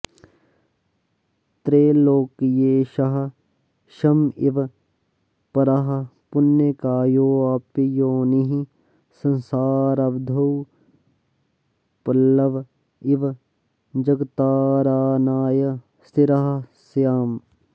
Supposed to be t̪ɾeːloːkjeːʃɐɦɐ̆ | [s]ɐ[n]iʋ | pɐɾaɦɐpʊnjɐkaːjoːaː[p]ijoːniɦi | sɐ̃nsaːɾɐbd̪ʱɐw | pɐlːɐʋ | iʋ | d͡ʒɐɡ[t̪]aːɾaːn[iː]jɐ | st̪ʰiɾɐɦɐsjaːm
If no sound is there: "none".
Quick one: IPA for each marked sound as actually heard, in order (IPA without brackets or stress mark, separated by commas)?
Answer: ʃ, m, p, t̪, aː